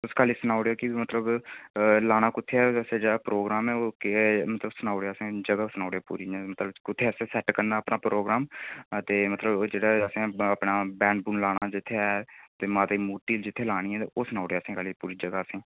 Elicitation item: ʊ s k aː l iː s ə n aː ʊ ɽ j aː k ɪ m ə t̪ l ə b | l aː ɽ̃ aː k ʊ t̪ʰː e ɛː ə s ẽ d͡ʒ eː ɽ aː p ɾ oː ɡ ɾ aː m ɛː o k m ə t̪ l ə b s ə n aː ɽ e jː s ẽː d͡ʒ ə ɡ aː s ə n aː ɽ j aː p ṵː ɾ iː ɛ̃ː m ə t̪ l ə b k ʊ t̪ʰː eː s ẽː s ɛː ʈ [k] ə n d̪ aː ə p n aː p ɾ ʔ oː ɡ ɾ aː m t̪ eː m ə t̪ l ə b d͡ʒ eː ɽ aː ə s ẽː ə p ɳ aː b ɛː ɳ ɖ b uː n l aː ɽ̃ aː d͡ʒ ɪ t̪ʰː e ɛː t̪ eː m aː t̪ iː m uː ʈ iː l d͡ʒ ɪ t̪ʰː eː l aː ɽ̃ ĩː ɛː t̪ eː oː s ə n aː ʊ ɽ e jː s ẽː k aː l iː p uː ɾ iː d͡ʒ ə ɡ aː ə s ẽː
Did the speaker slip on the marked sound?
no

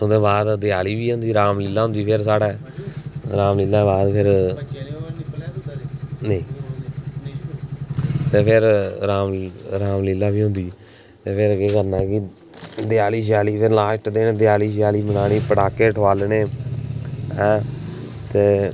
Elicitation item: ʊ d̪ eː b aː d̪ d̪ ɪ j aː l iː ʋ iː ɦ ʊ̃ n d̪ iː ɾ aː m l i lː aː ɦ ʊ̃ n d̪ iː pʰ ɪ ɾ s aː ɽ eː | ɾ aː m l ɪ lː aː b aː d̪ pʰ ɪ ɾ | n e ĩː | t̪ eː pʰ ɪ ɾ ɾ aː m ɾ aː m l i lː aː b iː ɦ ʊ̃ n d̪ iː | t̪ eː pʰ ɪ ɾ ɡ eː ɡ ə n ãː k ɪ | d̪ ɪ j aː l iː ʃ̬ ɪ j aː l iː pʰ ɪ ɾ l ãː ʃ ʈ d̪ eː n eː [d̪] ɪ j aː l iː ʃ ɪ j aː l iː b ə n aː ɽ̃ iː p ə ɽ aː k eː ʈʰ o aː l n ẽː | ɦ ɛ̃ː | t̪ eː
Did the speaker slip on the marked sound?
no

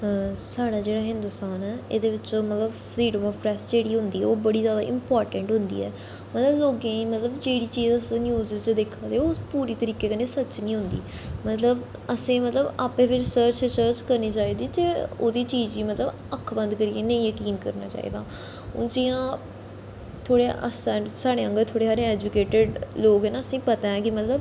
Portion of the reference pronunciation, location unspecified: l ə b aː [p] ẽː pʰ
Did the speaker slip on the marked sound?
no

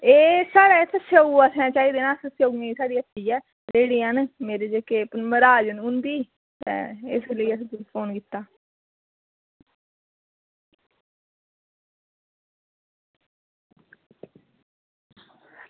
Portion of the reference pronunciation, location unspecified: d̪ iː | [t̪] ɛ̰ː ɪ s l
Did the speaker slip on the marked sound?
no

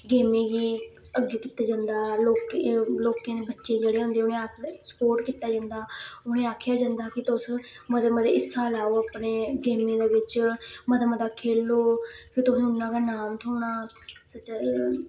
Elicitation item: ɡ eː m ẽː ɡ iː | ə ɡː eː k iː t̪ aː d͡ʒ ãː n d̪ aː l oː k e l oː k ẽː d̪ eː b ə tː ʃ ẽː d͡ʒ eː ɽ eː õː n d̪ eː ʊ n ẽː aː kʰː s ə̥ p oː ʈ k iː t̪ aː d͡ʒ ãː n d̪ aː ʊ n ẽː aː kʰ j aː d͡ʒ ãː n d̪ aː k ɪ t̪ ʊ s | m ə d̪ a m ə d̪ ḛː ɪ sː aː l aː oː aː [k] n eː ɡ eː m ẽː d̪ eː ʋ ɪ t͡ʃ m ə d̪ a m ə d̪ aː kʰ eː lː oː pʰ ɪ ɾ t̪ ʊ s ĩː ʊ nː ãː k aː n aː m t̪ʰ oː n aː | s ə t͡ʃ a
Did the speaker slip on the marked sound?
yes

